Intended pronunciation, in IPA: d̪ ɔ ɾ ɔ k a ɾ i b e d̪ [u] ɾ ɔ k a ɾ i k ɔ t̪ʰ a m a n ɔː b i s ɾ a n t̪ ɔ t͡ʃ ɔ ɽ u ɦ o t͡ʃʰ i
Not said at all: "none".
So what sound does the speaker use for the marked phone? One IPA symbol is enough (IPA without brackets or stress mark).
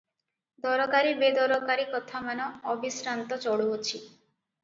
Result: ɔ